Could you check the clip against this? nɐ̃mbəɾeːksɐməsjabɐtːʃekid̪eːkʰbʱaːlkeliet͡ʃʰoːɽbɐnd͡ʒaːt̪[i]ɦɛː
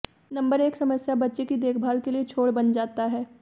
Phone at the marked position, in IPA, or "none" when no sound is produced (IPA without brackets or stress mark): a